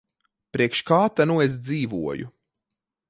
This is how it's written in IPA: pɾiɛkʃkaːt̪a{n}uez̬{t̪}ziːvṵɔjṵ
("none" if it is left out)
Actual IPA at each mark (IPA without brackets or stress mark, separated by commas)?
n, d̪